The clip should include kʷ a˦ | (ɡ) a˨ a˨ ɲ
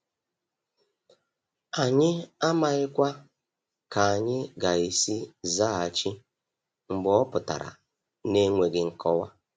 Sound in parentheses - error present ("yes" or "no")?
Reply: yes